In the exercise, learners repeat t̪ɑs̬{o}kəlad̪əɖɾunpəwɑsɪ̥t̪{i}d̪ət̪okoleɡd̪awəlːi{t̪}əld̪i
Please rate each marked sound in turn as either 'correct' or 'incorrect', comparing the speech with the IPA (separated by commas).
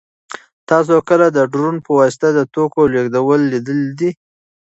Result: correct, incorrect, incorrect